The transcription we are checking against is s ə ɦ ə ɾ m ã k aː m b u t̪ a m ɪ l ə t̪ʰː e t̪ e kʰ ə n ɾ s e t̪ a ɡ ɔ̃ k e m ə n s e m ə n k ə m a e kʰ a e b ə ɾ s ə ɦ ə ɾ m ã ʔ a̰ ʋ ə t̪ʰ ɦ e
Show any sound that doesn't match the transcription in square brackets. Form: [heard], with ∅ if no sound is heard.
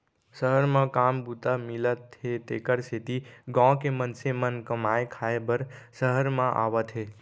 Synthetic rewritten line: s ə ɦ ə ɾ m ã k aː m b u t̪ a m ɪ l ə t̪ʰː e t̪ e [k] ə [∅] ɾ s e t̪ [i] ɡ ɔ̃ k e m ə n s e m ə n k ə m a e kʰ a e b ə ɾ s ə ɦ ə ɾ m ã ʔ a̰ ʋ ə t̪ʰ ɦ e